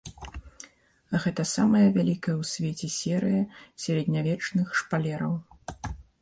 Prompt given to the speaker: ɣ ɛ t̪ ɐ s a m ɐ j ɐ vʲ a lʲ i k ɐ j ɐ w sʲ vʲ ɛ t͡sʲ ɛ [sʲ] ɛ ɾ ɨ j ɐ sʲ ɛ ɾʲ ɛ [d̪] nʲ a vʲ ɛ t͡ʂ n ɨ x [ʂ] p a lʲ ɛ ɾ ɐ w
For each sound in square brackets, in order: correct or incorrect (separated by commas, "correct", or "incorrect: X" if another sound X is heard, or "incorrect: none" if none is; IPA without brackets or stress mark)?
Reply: correct, correct, correct